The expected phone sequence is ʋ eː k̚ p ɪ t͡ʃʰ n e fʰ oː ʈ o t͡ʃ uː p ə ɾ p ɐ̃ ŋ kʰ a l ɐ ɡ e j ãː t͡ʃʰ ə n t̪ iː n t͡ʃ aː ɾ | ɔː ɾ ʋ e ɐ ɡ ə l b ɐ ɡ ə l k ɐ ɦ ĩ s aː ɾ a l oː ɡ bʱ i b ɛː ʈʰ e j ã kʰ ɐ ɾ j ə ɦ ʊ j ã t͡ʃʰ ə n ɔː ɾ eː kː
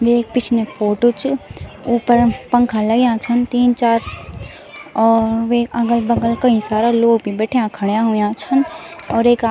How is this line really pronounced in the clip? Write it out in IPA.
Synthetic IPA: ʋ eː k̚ p ɪ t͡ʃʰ n e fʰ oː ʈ o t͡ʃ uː p ə ɾ p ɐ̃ ŋ kʰ a l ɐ ɡ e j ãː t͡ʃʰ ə n t̪ iː n t͡ʃ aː ɾ | ɔː ɾ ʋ e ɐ ɡ ə l b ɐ ɡ ə l k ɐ ɦ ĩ s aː ɾ a l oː ɡ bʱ i b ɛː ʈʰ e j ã kʰ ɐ ɽ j a ɦ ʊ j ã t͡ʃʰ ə n ɔː ɾ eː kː